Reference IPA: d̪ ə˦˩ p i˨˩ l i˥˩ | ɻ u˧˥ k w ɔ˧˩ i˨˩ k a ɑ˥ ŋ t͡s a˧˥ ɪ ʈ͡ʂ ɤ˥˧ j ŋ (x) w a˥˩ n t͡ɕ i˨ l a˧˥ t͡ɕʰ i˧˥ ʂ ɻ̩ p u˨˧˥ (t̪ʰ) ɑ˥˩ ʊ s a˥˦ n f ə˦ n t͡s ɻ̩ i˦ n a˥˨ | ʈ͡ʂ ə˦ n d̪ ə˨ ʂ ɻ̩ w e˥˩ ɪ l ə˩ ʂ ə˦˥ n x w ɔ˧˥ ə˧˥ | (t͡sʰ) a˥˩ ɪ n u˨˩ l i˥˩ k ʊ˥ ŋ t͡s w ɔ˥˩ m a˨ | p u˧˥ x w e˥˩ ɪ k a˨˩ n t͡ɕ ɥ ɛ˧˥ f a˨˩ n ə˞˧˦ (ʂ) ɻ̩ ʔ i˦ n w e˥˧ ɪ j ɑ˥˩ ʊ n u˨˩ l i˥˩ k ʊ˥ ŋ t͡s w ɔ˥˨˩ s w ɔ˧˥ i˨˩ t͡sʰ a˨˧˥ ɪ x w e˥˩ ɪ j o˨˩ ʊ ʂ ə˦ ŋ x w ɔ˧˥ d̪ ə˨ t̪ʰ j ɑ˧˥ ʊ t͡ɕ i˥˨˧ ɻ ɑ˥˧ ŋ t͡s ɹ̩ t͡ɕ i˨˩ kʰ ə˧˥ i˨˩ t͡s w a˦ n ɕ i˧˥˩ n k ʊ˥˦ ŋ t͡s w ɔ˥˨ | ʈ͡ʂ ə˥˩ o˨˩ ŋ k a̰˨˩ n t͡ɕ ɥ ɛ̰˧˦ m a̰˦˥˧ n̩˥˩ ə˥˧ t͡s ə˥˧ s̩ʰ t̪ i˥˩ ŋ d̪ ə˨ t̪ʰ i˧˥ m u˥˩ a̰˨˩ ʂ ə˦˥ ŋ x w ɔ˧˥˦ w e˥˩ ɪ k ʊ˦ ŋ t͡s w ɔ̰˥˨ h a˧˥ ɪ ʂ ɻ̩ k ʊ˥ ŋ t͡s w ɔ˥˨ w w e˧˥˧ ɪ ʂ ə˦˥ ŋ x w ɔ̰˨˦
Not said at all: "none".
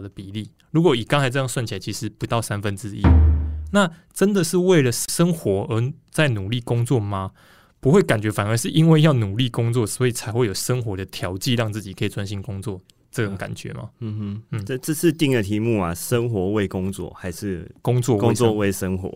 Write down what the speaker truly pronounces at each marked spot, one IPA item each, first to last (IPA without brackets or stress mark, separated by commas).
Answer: s, t̪, t͡s, ʂ